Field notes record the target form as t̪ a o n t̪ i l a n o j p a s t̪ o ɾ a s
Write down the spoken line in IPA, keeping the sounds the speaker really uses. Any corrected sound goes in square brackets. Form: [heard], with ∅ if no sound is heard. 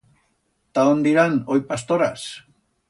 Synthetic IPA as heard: t̪ a o n [d̪] i [ɾ] a n o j p a s t̪ o ɾ a s